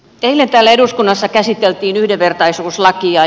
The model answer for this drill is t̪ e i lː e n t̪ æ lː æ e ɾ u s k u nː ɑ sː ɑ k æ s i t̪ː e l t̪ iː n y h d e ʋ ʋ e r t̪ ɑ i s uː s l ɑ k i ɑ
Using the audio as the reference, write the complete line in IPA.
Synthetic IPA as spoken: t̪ e i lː e n t̪ æː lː æ e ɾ u s k u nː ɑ sː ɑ k æ s i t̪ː e l t̪ iː n y h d e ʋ ʋ e r t̪ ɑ i s uː s l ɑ k i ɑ